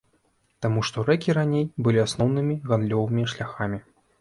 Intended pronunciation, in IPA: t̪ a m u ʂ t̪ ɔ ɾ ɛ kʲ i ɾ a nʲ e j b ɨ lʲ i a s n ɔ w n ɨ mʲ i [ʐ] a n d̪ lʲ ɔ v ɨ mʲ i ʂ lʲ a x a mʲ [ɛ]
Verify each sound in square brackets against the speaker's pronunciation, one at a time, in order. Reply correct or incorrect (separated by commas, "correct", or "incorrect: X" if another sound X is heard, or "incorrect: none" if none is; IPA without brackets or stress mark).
incorrect: ɣ, incorrect: i